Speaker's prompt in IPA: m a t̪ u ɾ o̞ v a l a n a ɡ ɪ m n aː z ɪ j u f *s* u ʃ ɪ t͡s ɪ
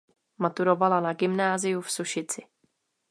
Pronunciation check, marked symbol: correct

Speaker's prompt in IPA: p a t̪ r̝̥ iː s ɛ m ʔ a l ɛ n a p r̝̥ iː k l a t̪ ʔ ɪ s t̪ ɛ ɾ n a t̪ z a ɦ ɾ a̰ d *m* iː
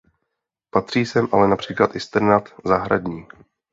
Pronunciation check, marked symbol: incorrect: ɲ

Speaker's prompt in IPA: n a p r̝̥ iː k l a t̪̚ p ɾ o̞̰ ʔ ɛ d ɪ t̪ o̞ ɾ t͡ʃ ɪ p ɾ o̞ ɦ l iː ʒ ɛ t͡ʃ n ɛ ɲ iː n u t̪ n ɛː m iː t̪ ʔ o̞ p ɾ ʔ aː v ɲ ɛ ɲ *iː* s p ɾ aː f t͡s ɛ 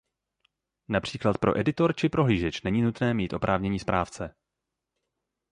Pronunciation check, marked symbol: correct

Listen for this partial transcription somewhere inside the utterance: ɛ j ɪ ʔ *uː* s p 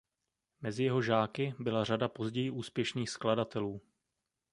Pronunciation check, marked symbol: correct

